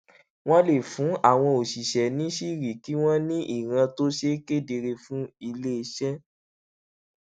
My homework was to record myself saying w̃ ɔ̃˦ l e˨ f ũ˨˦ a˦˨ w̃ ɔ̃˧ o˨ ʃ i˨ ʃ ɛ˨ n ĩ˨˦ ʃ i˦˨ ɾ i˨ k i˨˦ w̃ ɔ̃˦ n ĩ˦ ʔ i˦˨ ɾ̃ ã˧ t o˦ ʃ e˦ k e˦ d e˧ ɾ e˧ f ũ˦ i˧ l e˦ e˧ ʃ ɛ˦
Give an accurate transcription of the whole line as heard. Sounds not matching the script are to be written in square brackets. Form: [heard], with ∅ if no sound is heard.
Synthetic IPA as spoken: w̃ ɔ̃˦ l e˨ f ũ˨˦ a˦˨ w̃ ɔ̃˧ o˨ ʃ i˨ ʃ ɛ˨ n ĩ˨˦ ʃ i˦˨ ɾ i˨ k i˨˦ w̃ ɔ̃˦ n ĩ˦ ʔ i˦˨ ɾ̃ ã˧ t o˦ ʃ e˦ k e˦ d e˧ ɾ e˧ f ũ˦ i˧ l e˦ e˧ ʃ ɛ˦